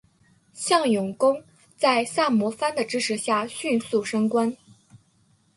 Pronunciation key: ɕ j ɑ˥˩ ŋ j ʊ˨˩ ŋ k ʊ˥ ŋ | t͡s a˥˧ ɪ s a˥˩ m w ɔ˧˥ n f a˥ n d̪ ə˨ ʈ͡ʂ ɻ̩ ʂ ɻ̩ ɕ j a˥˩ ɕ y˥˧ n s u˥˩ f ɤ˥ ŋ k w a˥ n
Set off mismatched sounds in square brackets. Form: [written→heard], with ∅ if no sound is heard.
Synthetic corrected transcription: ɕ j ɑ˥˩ ŋ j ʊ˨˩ ŋ k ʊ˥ ŋ | t͡s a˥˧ ɪ s a˥˩ m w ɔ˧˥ [n→∅] f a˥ n d̪ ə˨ ʈ͡ʂ ɻ̩ ʂ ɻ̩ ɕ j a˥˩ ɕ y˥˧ n s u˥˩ [f→ʂ] ɤ˥ ŋ k w a˥ n